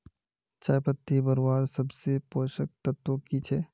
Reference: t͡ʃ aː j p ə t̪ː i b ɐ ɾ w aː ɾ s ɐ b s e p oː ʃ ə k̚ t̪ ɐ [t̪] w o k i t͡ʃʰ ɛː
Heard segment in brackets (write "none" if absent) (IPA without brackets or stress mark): t̪